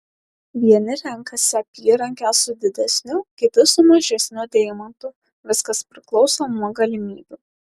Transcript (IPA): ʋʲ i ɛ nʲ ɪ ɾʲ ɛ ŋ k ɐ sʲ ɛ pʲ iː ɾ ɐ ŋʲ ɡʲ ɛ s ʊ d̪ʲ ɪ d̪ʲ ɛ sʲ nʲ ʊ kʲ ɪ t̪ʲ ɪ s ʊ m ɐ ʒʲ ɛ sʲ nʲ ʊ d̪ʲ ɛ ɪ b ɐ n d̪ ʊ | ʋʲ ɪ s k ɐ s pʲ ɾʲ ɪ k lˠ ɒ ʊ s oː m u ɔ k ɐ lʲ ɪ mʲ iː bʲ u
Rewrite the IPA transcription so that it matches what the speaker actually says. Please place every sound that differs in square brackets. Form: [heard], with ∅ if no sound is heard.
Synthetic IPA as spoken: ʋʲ i ɛ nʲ ɪ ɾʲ ɛ ŋ k ɐ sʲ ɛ pʲ iː ɾ ɐ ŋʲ [kʲ] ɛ s ʊ d̪ʲ ɪ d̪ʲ ɛ sʲ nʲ ʊ kʲ ɪ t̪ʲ ɪ s ʊ m ɐ ʒʲ ɛ sʲ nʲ ʊ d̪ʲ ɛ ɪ [m] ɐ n [t̪] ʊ | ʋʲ ɪ s k ɐ s pʲ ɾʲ ɪ k lˠ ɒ ʊ s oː m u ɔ [ɡ] ɐ lʲ ɪ mʲ iː bʲ u